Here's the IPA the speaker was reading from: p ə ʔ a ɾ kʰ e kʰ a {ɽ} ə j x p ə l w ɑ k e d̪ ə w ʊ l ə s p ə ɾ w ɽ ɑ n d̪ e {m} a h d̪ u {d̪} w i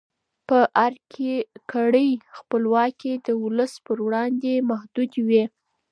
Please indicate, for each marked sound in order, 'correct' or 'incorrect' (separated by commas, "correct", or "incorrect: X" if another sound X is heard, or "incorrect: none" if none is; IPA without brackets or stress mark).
correct, correct, correct